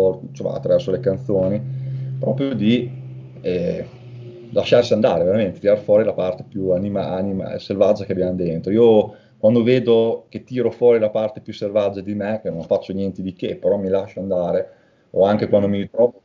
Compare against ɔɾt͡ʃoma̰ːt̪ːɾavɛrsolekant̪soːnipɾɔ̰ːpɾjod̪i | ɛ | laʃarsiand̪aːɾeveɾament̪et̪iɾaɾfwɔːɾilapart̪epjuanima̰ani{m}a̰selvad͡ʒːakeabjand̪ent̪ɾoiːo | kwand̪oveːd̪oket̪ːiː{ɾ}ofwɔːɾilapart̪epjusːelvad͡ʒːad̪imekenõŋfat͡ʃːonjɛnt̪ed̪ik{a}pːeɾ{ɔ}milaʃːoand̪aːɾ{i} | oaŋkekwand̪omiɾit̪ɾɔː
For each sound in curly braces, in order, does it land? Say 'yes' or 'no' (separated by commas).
yes, yes, no, yes, no